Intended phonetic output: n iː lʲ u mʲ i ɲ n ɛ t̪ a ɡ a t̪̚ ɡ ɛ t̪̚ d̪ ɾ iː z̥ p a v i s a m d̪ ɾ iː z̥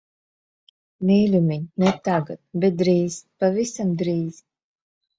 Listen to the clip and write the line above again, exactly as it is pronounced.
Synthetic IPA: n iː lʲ u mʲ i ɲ n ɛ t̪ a ɡ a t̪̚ b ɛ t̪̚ d̪ ɾ iː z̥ p a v i s a m d̪ ɾ iː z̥

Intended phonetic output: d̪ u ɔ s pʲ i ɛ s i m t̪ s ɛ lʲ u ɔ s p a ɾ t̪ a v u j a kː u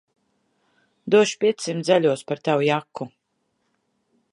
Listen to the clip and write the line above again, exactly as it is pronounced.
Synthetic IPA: d̪ u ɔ ʃ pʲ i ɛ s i m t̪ z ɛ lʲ u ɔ s p a ɾ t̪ a w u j a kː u

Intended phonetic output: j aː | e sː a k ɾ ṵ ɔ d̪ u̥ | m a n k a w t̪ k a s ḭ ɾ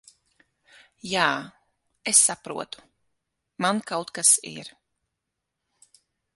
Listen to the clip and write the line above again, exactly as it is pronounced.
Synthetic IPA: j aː | e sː a p ɾ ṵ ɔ t̪ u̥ | m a n k a w t̪ k a s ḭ ɾ

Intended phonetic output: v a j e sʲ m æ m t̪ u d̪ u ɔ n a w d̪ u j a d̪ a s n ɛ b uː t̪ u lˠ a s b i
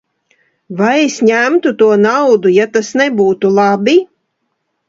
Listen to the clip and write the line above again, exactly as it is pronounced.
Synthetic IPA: v a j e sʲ ɲ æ m t̪ u t̪ u ɔ n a w d̪ u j a t̪ a s n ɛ b uː t̪ u lˠ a b i

